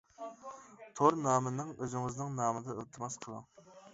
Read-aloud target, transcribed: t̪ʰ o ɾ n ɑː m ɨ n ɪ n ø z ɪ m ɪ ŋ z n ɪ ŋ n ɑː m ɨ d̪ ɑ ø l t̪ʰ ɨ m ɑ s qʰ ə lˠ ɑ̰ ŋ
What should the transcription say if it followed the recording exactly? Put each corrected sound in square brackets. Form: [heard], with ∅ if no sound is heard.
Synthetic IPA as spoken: t̪ʰ o ɾ n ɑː m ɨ n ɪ [ŋ] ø z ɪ [ŋ] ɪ [∅] z n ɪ ŋ n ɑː m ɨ d̪ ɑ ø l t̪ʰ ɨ m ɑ s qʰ ə lˠ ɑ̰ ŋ